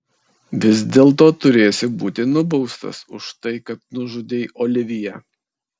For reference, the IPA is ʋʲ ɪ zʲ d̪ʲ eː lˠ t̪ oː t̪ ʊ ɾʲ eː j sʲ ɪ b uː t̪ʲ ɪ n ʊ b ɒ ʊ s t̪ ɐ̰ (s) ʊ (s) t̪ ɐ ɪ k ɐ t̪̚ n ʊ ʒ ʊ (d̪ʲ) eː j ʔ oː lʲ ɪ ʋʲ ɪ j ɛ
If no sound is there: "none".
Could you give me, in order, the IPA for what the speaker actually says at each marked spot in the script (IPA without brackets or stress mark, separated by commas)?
s, ʃ, d̪ʲ